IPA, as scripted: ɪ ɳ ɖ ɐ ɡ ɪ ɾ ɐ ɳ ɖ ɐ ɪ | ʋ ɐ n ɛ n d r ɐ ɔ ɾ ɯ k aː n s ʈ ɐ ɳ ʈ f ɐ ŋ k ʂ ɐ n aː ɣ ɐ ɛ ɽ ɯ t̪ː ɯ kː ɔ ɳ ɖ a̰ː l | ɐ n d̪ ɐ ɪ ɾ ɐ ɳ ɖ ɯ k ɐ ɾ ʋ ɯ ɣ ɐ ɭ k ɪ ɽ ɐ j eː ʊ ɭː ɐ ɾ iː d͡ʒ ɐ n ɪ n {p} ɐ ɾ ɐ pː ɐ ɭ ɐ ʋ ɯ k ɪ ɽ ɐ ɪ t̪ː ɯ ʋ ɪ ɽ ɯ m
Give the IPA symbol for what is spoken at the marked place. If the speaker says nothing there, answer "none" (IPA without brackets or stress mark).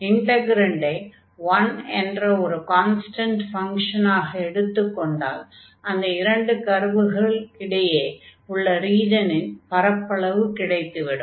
p